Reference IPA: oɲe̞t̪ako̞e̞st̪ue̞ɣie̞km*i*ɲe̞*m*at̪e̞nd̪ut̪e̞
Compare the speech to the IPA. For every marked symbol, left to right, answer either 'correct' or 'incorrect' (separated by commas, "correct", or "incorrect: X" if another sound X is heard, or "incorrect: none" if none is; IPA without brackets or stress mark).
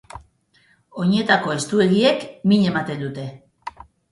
correct, correct